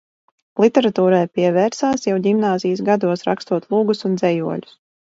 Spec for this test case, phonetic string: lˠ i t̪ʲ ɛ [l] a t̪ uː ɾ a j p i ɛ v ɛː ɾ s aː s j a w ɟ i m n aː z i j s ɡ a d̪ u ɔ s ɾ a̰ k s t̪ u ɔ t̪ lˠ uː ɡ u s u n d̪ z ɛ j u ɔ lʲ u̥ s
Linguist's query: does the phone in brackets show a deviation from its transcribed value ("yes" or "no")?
yes